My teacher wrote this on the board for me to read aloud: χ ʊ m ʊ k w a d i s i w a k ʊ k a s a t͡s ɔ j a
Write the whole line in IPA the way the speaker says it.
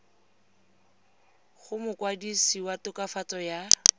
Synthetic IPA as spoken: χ ʊ m ʊ k w a d i s i w a t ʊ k a f a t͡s ɔ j a